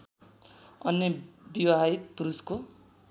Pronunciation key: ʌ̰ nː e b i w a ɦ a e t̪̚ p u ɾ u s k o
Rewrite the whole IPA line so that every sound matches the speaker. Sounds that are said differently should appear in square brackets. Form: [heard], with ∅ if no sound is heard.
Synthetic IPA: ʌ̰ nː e b i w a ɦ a [i] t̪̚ p u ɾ u s k o